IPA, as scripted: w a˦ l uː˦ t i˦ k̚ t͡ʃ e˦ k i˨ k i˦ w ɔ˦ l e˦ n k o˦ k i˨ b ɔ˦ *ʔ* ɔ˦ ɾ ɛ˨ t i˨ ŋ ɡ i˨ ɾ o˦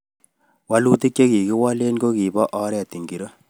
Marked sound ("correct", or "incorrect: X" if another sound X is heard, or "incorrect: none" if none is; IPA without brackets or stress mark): correct